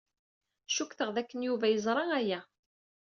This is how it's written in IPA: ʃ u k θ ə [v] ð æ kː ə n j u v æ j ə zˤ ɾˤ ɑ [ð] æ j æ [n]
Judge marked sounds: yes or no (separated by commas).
no, no, no